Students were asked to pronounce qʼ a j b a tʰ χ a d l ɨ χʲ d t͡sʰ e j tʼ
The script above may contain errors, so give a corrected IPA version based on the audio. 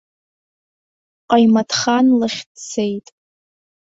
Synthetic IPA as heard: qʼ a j m a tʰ χ a n l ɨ χʲ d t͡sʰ e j tʼ